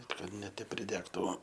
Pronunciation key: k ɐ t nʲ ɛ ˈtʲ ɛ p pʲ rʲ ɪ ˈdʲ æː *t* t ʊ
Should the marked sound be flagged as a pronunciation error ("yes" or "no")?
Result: yes